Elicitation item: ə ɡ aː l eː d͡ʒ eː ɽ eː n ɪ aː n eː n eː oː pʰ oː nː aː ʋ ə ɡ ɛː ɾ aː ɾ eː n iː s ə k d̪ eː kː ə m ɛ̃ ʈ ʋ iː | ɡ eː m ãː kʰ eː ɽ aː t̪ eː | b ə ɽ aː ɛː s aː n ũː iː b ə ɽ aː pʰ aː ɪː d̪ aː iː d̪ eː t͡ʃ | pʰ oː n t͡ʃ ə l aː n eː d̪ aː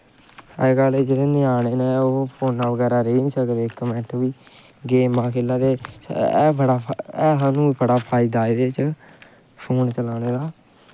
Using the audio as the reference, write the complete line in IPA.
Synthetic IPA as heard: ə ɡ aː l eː d͡ʒ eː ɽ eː n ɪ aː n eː n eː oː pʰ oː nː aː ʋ ə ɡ ɛː ɾ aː ɾ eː n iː s ə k d̪ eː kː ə m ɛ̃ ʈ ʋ iː | ɡ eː m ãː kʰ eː l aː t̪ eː | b ə ɽ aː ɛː s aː n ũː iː b ə ɽ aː pʰ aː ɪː d̪ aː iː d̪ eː t͡ʃ | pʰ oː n t͡ʃ ə l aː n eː d̪ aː